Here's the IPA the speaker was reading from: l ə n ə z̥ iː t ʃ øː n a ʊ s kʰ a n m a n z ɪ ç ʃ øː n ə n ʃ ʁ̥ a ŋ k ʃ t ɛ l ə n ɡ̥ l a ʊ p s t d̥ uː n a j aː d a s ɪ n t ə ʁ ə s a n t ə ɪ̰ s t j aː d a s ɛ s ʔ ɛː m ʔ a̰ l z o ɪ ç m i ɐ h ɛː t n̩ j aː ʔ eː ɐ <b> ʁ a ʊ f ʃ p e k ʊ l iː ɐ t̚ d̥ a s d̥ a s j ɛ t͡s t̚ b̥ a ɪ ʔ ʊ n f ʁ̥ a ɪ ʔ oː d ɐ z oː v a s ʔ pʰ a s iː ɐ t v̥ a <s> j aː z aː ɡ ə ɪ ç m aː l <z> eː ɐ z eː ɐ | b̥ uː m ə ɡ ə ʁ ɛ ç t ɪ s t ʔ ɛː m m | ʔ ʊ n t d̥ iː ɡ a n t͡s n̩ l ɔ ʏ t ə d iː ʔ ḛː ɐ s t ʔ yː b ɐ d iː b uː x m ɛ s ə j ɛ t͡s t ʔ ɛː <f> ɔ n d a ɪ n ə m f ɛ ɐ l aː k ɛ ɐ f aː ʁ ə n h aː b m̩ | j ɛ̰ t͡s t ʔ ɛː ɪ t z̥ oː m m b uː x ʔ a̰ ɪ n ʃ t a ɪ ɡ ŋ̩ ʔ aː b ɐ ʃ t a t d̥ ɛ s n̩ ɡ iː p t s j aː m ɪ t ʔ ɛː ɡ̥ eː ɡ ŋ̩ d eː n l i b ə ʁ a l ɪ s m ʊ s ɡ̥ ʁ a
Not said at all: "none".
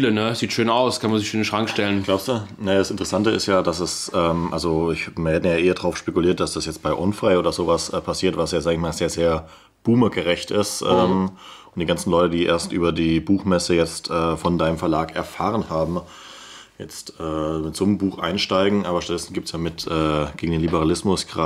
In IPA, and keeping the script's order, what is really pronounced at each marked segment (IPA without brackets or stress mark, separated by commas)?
d, s, z, f